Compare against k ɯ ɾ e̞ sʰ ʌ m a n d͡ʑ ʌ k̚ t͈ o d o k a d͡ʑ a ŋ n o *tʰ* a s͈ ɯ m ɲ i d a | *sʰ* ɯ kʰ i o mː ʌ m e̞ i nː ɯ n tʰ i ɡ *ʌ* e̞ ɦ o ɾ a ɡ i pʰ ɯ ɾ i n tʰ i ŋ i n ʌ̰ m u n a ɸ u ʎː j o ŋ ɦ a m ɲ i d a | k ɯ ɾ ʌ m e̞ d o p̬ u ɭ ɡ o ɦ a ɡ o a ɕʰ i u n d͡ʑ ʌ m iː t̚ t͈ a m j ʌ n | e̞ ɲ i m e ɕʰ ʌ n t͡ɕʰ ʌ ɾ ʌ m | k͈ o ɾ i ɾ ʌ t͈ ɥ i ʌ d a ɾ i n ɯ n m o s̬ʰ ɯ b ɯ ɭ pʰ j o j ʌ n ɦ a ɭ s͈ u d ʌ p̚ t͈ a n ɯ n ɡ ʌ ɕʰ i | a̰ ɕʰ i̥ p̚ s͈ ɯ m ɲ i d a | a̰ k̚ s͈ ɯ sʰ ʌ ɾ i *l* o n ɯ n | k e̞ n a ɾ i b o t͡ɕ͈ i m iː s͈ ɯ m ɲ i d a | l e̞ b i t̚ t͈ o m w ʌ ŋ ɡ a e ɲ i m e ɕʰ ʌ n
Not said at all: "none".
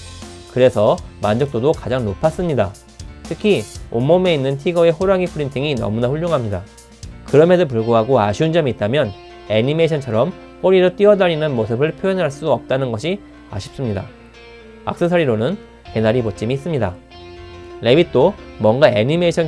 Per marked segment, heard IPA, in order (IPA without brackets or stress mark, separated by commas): pʰ, tʰ, ʌ, ɾ